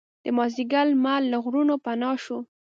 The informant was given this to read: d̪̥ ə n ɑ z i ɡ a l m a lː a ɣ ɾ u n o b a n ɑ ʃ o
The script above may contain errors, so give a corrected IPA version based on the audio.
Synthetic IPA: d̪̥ ə m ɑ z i ɡ a l m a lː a ɣ ɾ u n o p a n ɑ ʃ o